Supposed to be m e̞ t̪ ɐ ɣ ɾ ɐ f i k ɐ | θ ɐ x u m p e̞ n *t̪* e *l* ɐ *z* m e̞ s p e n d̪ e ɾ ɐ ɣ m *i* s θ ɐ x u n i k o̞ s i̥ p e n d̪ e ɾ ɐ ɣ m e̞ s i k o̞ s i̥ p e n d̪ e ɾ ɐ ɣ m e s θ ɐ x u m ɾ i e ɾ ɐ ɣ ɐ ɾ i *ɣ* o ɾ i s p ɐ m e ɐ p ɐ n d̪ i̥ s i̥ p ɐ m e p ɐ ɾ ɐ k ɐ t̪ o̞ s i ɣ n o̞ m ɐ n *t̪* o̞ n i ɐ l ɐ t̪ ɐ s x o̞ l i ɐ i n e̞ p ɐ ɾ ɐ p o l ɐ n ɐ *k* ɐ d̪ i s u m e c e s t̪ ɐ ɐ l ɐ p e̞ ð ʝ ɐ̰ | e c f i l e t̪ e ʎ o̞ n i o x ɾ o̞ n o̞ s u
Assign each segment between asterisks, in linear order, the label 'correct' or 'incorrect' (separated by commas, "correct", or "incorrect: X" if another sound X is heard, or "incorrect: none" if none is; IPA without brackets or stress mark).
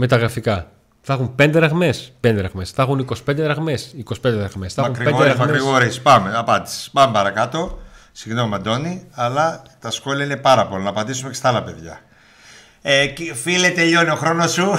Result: incorrect: d̪, incorrect: ɾ, incorrect: ɣ, incorrect: e, correct, incorrect: d̪, incorrect: p